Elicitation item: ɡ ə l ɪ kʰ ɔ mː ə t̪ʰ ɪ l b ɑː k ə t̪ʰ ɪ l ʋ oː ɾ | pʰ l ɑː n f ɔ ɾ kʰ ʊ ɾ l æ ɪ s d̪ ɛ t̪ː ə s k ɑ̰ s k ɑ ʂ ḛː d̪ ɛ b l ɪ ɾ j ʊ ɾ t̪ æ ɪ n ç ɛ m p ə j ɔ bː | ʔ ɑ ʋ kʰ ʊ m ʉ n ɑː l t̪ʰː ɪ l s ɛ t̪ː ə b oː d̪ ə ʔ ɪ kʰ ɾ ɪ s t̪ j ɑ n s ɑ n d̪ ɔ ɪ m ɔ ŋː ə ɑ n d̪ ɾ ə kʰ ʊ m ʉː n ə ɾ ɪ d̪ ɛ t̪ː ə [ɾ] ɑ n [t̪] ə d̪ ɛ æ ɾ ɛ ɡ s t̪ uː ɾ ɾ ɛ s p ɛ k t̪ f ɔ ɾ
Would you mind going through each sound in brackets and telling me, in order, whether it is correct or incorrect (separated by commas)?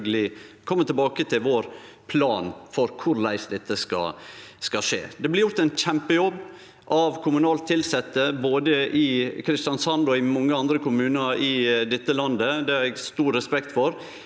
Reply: incorrect, incorrect